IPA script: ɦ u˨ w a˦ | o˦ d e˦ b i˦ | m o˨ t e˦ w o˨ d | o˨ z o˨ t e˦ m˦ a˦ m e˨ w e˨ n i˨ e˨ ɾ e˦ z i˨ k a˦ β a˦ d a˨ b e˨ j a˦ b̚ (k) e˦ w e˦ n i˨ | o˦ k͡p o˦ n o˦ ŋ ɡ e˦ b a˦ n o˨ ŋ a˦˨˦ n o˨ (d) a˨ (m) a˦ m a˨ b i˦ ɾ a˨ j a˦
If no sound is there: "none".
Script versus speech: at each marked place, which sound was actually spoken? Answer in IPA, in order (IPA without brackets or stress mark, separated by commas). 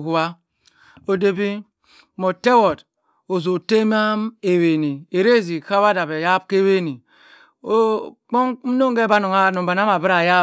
k, b, n